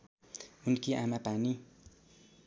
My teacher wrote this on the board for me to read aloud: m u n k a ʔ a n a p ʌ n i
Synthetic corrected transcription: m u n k i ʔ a m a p a n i